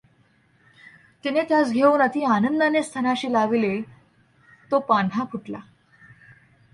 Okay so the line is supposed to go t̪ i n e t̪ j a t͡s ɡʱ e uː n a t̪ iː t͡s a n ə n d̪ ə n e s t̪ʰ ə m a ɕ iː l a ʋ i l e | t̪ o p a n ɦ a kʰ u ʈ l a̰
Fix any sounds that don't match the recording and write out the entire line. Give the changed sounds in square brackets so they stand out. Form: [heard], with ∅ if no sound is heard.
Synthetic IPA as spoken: t̪ i n e t̪ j a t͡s ɡʱ e uː n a t̪ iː [∅] a n ə n d̪ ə n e s t̪ʰ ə [n] a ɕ iː l a ʋ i l e | t̪ o p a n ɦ a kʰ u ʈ l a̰